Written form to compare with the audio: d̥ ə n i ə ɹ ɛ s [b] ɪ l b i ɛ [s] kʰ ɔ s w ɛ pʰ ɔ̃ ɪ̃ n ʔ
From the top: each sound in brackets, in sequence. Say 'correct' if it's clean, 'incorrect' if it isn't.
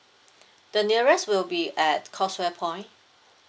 incorrect: w, incorrect: t

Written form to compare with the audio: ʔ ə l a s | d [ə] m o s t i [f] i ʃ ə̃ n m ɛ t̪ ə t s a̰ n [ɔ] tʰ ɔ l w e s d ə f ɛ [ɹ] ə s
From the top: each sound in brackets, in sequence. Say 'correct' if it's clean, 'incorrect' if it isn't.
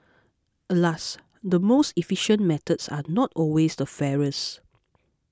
correct, correct, correct, correct

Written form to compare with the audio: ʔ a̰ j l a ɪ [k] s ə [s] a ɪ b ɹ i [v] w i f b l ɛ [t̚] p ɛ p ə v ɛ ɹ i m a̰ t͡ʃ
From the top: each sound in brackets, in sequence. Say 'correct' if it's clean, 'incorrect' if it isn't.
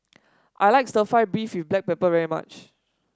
correct, incorrect: f, incorrect: f, incorrect: k̚

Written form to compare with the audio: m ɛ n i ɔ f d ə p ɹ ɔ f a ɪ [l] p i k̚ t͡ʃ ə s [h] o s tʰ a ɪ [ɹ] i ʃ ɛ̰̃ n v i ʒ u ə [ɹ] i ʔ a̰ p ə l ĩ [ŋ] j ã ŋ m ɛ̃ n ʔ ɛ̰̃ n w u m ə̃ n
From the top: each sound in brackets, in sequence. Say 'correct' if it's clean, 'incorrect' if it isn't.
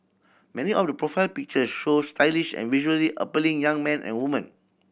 correct, incorrect: ʃ, incorrect: l, incorrect: l, correct

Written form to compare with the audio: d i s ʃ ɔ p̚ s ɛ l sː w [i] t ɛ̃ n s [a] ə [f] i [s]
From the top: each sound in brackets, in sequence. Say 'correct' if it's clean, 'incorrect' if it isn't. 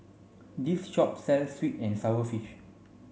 correct, correct, correct, incorrect: ʃ

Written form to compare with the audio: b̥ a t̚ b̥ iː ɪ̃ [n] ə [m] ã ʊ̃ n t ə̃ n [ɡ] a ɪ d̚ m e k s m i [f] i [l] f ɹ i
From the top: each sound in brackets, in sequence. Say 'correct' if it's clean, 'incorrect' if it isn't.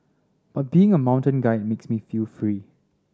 incorrect: ŋ, correct, correct, correct, correct

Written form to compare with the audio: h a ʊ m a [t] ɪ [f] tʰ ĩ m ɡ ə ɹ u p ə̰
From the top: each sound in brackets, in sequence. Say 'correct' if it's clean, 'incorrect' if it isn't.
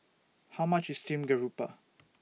incorrect: t͡ʃ, incorrect: s

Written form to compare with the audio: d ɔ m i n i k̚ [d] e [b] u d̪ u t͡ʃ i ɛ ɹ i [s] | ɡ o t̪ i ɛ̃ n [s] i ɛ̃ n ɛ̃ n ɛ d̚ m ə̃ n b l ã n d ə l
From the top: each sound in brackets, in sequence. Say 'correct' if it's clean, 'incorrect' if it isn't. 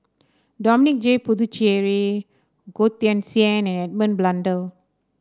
incorrect: d͡ʒ, incorrect: p, incorrect: none, correct

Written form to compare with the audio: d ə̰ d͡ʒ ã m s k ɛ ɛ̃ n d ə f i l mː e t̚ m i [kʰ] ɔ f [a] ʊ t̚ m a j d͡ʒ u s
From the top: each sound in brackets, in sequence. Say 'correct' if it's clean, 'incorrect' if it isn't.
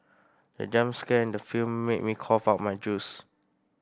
correct, correct

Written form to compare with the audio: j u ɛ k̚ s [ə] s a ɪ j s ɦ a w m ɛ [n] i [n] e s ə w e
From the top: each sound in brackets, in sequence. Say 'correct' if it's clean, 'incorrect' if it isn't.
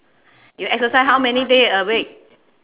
correct, correct, incorrect: d

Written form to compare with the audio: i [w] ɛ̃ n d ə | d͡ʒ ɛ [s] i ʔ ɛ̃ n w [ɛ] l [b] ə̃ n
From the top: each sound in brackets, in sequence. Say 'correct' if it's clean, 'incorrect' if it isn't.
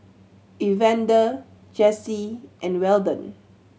incorrect: v, correct, correct, incorrect: d

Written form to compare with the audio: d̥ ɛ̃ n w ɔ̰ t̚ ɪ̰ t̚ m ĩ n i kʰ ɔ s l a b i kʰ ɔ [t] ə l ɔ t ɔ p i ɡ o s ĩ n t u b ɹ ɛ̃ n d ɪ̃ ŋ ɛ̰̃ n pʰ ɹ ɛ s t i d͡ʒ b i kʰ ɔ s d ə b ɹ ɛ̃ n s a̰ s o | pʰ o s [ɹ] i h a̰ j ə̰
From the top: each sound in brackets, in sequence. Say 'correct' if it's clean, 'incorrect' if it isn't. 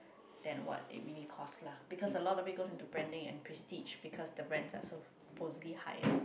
incorrect: s, incorrect: l

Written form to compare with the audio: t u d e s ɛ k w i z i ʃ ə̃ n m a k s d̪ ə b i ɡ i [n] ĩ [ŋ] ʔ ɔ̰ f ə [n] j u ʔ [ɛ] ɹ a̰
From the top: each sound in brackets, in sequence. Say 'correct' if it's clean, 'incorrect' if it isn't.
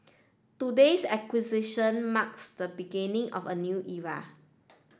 correct, correct, correct, incorrect: i

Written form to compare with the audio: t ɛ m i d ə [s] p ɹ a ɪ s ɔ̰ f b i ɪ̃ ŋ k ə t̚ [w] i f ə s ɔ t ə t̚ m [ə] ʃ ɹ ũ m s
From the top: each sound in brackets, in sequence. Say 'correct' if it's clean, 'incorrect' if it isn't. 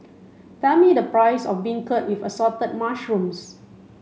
incorrect: none, correct, incorrect: a

